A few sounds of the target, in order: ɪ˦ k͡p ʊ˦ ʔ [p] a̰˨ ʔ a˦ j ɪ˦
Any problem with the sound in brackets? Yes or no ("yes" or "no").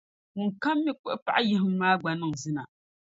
no